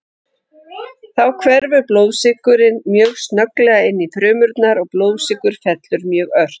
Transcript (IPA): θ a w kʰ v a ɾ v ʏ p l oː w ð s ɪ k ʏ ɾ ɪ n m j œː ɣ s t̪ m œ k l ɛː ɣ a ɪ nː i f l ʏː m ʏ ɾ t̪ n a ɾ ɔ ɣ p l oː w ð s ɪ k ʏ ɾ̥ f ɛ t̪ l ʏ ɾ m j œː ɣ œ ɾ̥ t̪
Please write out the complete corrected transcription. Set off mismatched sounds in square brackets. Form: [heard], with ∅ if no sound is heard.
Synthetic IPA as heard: θ a w kʰ v [ɛ] ɾ v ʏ p l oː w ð s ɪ k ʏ ɾ ɪ n m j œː ɣ s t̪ [n] œ k l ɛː ɣ a ɪ nː i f [ɾ] ʏː m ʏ ɾ t̪ n a ɾ ɔ ɣ p l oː w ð s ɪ k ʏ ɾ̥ f ɛ t̪ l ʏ ɾ m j œː ɣ œ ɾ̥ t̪